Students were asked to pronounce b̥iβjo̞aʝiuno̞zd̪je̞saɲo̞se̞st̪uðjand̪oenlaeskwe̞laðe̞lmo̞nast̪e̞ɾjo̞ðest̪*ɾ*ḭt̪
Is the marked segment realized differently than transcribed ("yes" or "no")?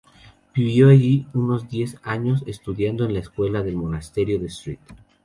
no